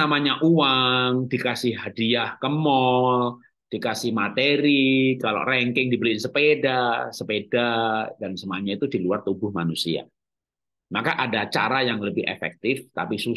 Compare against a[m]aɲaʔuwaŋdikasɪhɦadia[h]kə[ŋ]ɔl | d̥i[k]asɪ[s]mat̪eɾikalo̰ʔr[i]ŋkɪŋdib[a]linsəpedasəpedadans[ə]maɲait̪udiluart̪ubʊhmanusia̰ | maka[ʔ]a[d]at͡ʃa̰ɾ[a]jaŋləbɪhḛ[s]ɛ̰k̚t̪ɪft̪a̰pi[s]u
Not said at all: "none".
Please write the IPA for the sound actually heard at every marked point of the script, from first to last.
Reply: m, h, m, k, h, ɛ, ə, ə, ʔ, d, a, f, s

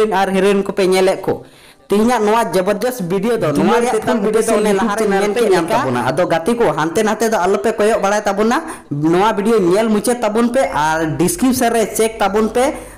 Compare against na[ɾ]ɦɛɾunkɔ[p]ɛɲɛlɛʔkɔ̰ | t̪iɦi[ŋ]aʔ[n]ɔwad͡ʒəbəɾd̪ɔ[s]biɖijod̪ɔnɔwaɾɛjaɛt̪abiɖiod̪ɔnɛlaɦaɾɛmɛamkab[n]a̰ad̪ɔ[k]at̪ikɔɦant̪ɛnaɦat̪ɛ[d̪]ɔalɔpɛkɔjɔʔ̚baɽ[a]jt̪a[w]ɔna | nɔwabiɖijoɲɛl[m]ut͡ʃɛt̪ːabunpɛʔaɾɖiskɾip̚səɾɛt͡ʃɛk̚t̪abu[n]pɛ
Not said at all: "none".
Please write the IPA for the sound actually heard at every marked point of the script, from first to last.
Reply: ɾ, p, ɲ, n, s, n, ɡ, d̪, a, b, m, n

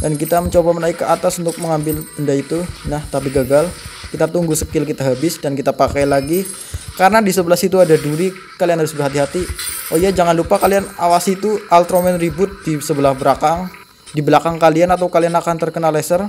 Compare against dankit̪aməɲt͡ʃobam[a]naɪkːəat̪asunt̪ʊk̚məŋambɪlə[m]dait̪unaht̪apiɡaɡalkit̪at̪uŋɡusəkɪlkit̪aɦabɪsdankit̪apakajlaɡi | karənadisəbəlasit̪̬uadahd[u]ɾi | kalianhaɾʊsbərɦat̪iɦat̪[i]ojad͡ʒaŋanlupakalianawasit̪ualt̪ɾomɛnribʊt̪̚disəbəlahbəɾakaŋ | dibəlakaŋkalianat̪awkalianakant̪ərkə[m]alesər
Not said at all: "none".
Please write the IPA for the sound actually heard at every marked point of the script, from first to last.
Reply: ə, n, u, i, n

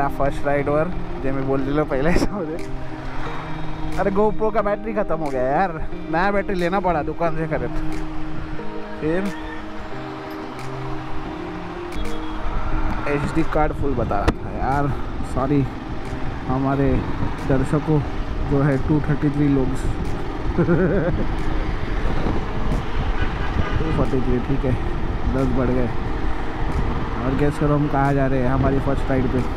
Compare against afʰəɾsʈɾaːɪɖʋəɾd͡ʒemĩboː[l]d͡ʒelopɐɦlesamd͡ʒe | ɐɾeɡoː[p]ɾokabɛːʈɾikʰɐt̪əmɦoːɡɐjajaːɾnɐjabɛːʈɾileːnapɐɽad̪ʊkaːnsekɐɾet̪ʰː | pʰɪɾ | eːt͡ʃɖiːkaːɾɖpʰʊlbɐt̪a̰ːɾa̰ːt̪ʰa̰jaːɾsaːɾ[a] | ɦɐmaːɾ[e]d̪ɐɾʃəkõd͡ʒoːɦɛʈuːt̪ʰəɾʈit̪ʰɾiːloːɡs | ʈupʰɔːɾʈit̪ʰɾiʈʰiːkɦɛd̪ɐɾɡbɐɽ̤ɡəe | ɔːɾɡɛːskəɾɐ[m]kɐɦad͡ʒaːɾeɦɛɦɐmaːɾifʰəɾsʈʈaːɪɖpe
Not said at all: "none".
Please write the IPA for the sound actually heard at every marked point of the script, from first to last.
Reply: l, p, i, e, m

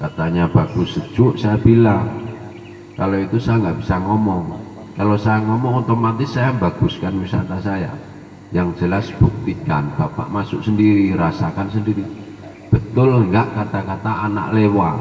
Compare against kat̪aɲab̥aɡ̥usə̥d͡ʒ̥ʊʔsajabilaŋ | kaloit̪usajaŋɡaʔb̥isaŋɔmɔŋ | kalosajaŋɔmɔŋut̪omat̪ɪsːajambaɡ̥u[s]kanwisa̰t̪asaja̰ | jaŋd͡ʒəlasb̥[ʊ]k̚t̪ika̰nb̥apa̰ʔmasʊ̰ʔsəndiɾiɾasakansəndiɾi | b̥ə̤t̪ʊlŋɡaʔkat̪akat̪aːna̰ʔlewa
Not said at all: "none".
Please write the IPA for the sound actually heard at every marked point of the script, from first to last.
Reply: s, u

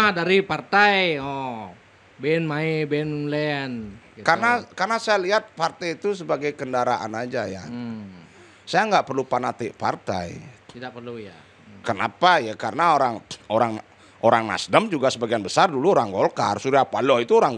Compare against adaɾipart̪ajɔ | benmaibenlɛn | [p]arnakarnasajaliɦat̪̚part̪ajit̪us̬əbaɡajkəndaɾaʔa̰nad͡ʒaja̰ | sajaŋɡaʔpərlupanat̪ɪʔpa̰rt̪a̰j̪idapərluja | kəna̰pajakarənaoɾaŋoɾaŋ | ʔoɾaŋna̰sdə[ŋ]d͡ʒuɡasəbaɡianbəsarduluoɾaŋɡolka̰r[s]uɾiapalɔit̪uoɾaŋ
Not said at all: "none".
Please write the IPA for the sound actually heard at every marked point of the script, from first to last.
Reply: k, m, s

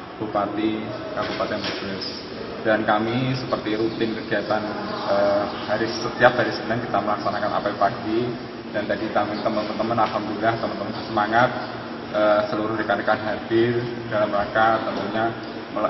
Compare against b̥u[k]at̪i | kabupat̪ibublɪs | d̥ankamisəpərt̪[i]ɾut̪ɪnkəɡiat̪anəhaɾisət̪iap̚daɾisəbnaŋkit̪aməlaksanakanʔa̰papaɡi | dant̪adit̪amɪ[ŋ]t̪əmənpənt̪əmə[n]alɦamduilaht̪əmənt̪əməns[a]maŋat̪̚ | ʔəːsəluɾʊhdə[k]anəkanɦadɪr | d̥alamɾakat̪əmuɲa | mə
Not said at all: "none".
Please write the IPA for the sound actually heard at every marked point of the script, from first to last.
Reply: p, i, n, n, ə, k

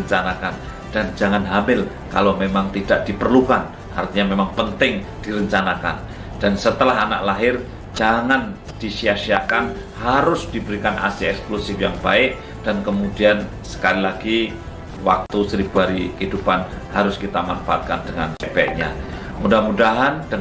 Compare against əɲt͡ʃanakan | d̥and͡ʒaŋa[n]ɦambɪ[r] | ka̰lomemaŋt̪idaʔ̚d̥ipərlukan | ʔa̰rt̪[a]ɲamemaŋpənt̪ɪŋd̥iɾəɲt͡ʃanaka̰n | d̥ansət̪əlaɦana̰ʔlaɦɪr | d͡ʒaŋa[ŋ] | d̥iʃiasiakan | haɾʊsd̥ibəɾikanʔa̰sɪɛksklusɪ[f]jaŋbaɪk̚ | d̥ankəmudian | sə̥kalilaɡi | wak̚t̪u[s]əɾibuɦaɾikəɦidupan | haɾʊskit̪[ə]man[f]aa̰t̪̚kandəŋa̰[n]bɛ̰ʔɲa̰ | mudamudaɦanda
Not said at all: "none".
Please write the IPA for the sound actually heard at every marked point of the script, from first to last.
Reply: n, l, i, n, f, s, a, f, n

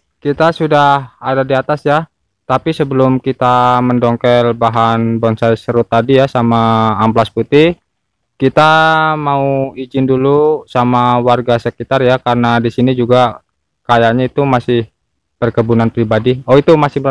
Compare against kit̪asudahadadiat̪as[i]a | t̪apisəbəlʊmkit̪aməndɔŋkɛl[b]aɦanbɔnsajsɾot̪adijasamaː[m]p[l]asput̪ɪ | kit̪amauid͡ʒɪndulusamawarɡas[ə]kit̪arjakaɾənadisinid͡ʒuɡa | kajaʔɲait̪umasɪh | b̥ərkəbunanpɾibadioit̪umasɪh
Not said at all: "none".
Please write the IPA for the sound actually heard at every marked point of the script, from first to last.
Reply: j, b, m, l, ə

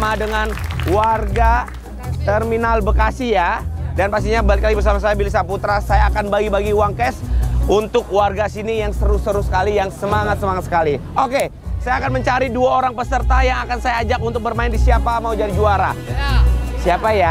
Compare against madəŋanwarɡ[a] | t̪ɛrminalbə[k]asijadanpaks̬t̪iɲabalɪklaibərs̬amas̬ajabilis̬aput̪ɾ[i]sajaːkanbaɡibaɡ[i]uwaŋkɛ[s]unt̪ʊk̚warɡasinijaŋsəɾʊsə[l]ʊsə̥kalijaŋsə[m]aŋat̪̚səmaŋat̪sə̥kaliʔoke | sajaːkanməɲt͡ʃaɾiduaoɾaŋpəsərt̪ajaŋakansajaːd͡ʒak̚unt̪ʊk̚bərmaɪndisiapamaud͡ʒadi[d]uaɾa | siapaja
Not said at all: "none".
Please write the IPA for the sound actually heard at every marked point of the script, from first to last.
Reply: a, k, a, i, s, ɾ, m, d͡ʒ

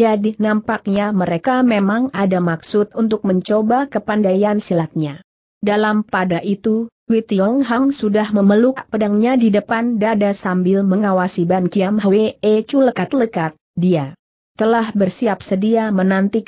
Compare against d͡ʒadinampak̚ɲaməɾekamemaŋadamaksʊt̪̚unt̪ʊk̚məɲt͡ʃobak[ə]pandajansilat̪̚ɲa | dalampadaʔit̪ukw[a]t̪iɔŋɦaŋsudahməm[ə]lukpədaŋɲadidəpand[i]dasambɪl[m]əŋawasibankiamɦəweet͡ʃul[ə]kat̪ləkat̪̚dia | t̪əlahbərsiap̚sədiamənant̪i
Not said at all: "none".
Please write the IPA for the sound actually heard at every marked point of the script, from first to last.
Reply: ə, i, ə, a, m, ə

